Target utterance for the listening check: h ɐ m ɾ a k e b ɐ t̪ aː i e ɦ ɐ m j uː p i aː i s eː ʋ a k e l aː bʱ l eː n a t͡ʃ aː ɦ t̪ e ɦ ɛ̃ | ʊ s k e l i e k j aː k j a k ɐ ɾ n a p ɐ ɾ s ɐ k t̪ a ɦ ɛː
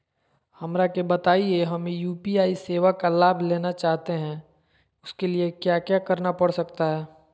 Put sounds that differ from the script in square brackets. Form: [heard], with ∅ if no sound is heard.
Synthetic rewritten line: h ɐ m ɾ a k e b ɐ t̪ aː i e ɦ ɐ m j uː p i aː i s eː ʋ a k [a] l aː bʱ l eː n a t͡ʃ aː ɦ t̪ e ɦ ɛ̃ | ʊ s k e l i e k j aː k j a k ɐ ɾ n a p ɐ [ɽ] s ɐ k t̪ a ɦ ɛː